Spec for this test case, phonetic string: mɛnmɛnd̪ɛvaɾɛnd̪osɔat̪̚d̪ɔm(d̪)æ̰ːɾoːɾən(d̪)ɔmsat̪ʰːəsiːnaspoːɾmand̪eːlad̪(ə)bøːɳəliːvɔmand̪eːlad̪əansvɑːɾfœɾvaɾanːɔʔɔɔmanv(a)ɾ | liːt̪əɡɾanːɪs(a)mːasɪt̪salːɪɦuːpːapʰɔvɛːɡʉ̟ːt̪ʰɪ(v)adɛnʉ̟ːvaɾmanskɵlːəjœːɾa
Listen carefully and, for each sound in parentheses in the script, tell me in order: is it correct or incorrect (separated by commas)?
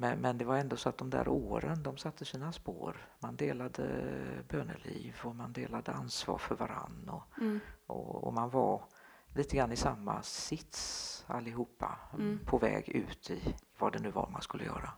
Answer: correct, correct, correct, correct, correct, correct